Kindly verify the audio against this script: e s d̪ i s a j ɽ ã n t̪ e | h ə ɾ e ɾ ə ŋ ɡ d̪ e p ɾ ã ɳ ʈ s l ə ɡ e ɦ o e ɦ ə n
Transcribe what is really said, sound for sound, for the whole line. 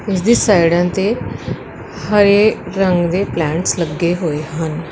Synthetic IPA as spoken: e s d̪ i s a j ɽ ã n t̪ e | h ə ɾ e ɾ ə ŋ ɡ d̪ e p l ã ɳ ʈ s l ə ɡ e ɦ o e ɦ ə n